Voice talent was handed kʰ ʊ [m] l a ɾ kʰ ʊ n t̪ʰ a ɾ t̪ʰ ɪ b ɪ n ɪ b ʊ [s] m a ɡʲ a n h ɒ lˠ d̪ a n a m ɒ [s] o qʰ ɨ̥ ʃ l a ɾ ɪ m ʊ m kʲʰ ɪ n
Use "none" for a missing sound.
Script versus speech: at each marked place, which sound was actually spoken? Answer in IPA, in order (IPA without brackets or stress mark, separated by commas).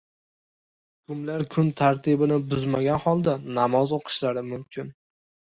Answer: m, z, z